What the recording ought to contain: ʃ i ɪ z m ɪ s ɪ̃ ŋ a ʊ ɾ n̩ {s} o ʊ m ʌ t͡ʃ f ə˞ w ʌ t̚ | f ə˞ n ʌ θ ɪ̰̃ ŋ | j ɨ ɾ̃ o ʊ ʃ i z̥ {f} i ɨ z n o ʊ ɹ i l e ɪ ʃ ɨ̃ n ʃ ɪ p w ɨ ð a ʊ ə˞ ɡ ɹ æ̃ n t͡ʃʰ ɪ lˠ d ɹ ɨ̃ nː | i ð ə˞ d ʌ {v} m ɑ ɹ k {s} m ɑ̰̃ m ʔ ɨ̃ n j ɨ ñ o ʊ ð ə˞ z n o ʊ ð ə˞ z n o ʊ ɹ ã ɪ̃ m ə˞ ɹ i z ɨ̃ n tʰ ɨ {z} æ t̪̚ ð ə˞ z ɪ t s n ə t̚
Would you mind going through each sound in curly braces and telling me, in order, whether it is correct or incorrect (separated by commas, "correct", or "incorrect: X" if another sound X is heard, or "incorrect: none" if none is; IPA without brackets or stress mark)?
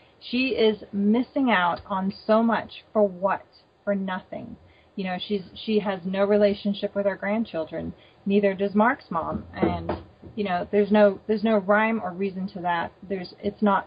correct, incorrect: ʃ, incorrect: z, correct, incorrect: ð